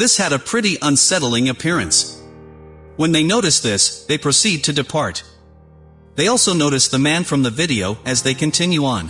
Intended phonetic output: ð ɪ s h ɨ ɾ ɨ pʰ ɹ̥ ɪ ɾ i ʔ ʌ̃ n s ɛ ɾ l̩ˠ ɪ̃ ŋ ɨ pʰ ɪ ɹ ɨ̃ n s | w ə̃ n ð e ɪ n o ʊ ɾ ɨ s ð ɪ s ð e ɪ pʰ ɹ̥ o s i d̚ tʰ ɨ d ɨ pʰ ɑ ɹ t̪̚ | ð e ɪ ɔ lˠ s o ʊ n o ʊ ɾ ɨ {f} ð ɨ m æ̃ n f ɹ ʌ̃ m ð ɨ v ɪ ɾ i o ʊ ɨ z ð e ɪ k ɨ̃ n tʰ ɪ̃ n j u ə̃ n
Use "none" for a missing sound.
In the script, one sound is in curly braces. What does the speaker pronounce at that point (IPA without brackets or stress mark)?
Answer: s